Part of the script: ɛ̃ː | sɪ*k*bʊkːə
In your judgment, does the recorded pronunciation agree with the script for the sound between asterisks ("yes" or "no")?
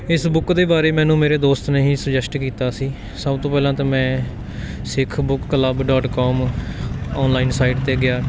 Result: no